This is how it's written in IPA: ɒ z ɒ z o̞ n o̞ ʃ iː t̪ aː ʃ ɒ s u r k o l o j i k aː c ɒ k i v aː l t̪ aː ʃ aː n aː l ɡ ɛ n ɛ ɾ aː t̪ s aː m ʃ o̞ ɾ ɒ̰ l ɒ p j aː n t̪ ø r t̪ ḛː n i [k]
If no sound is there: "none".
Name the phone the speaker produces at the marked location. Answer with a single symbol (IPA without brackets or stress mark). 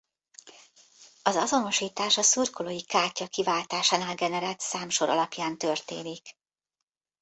k